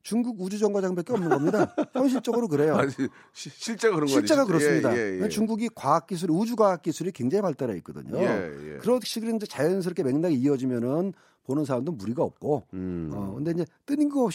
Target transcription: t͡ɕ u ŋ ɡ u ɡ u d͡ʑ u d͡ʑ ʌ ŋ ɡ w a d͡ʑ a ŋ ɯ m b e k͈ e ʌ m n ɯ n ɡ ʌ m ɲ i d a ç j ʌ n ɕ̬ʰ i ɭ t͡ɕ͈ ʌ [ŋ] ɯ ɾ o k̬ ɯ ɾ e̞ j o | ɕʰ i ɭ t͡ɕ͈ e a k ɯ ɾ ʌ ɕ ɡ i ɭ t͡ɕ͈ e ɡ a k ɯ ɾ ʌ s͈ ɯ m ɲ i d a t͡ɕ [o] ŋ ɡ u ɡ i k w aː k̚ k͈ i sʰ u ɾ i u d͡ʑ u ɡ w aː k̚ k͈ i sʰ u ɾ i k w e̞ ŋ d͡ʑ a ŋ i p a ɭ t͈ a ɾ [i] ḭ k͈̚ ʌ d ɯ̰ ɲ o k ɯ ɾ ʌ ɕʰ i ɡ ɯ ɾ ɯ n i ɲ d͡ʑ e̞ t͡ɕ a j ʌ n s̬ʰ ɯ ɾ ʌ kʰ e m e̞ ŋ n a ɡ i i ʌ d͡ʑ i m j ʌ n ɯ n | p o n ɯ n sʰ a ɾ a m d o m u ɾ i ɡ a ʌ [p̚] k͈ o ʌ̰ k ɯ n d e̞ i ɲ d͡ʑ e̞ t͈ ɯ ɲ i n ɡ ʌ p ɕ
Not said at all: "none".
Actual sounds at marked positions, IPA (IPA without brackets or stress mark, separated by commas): ɡ, u, a, p̚